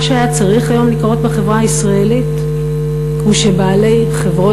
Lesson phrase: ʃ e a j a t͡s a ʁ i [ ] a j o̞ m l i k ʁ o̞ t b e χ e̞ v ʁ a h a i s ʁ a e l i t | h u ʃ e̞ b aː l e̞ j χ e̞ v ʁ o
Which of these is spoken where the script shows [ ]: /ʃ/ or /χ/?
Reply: χ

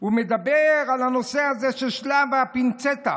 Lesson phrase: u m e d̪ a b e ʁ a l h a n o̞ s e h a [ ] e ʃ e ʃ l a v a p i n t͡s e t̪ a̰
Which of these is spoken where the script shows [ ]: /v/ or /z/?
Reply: z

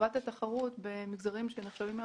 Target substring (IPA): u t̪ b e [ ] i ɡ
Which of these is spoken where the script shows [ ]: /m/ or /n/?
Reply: m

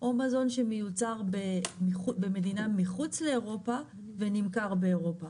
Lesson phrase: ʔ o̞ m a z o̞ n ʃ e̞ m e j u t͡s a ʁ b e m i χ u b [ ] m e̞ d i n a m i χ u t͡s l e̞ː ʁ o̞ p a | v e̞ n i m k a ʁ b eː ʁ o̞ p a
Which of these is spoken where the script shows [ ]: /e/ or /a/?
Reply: e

